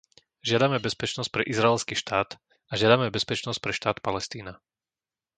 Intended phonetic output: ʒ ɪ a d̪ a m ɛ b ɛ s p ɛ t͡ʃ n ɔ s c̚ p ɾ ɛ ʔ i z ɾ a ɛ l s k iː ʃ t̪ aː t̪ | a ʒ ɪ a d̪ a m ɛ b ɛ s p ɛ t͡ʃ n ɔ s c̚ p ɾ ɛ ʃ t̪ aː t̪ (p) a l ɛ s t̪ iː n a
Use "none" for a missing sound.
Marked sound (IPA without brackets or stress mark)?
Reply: p